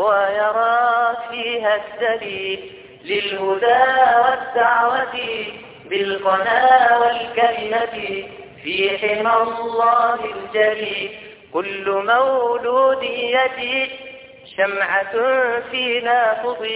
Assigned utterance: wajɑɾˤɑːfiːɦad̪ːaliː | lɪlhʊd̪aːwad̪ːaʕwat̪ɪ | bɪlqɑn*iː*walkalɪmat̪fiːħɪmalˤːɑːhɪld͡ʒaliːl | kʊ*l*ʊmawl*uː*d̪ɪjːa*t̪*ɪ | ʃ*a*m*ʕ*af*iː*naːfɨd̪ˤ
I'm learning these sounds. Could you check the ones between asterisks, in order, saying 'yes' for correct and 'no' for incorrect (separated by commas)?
no, no, yes, yes, yes, yes, yes